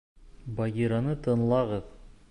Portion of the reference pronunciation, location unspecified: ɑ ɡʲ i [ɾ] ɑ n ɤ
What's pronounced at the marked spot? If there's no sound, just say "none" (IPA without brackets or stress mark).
ɾ